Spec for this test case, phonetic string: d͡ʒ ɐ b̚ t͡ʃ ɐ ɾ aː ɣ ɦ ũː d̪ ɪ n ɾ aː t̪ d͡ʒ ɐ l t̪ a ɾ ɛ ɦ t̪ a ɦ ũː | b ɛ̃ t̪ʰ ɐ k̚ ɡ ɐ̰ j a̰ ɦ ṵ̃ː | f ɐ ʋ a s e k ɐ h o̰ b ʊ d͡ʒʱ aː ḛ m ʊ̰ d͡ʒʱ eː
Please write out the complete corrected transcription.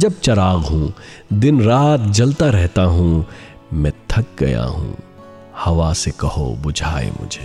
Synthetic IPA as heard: d͡ʒ ɐ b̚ t͡ʃ ɐ ɾ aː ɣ ɦ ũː d̪ ɪ n ɾ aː t̪ d͡ʒ ɐ l t̪ a ɾ ɛ ɦ t̪ a ɦ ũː | m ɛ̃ t̪ʰ ɐ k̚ ɡ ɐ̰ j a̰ ɦ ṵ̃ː | h ɐ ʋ a s e k ɐ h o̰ b ʊ d͡ʒʱ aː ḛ m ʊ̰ d͡ʒʱ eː